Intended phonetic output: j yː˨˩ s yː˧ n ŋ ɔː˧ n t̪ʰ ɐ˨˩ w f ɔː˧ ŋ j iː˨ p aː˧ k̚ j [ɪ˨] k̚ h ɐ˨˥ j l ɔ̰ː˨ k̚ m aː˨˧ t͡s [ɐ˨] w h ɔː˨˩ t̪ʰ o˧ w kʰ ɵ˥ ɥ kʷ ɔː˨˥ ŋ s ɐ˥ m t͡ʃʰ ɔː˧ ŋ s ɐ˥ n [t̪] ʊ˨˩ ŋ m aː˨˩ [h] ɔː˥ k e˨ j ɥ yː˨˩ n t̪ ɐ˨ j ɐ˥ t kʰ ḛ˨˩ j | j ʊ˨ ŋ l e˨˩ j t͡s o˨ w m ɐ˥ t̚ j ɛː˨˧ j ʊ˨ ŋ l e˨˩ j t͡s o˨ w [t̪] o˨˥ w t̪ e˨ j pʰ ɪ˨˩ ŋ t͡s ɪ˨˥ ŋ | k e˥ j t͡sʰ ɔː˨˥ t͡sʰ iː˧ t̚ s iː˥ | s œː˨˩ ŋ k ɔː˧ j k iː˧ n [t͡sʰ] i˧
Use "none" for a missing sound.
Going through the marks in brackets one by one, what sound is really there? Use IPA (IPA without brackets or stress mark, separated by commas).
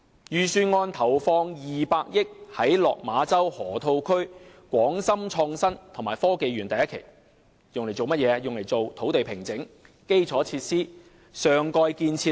ɪ˥, ɐ˥, t̪ʰ, f, t̪ʰ, t͡sʰ